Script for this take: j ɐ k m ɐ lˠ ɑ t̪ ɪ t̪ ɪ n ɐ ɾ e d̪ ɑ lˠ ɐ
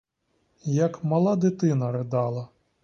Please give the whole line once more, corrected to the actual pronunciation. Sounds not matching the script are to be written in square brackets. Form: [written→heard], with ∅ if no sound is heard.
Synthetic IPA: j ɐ k m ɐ lˠ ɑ [t̪→d̪] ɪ t̪ ɪ n ɐ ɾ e d̪ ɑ lˠ ɐ